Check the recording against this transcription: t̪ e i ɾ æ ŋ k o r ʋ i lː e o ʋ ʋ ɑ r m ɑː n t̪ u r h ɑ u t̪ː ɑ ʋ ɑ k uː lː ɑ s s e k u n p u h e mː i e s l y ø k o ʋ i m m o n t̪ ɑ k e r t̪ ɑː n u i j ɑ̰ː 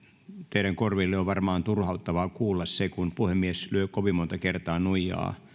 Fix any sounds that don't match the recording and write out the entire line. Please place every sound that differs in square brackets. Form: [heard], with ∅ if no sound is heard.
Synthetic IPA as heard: t̪ e i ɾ æ ŋ k o r ʋ i lː e o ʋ ʋ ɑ r m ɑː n t̪ u r h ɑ u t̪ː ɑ ʋ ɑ k uː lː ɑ s s e k u n p u h e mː i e s l y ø k o ʋ i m m o n t̪ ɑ k e r t̪ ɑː n u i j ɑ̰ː